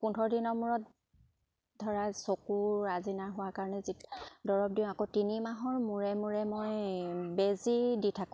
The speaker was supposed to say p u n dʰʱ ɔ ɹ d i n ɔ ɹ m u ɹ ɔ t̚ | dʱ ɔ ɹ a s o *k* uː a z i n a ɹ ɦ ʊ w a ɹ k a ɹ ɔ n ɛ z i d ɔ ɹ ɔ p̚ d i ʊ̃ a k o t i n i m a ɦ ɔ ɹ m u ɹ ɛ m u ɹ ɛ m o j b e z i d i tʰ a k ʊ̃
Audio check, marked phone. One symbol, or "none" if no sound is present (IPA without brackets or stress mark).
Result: k